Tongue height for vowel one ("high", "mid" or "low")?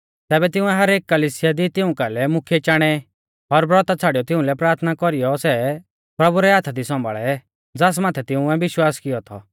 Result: mid